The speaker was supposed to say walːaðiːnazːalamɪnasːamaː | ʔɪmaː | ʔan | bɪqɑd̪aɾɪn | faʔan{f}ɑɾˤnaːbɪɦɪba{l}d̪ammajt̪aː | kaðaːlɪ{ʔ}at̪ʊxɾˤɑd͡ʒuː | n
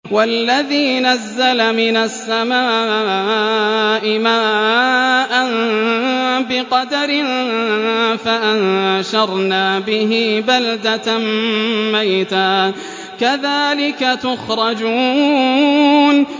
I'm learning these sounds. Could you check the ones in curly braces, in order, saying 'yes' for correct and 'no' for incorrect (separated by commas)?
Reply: no, yes, no